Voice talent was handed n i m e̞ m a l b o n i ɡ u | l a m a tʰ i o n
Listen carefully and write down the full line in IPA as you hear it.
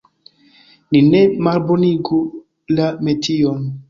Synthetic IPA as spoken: n i n e̞ m a l b o n i ɡ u | l a m e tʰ i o n